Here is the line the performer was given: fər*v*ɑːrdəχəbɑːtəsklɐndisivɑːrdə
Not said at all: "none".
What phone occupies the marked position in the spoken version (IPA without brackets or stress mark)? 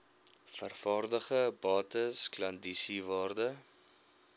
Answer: f